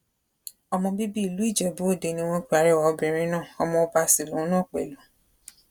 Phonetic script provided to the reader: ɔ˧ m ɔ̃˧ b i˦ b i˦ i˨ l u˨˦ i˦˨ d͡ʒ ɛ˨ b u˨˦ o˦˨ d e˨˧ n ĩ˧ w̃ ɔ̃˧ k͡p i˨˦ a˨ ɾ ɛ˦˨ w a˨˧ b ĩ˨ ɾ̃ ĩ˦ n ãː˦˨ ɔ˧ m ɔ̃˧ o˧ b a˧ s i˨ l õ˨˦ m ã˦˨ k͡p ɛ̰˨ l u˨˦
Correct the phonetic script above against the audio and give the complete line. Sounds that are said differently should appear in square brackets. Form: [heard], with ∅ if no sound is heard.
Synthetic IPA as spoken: ɔ˧ m ɔ̃˧ b i˦ b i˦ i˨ l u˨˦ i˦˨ d͡ʒ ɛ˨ b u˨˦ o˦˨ d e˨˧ n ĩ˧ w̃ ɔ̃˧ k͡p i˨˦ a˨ ɾ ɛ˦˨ w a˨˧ b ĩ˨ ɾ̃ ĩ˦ n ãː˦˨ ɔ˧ m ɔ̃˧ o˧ b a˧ s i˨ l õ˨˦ [n] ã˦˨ k͡p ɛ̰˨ l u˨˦